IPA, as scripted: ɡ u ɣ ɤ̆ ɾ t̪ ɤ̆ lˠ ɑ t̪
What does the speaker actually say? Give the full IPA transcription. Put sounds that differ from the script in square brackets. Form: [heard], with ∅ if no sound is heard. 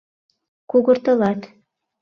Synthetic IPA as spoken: [k] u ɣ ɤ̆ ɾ t̪ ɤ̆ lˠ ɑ t̪